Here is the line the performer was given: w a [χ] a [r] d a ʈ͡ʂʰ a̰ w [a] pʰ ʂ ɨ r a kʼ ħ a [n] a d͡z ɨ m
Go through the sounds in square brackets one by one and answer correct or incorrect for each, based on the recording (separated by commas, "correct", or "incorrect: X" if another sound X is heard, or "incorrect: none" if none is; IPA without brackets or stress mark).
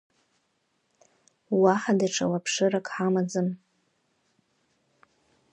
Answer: incorrect: ħ, incorrect: none, correct, incorrect: m